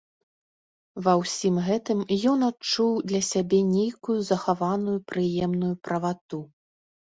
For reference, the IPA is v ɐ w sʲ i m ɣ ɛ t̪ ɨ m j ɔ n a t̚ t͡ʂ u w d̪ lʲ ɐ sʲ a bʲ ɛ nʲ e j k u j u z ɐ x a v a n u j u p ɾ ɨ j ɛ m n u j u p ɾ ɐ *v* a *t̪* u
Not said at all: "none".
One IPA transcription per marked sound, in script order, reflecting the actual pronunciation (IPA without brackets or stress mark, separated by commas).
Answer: v, t̪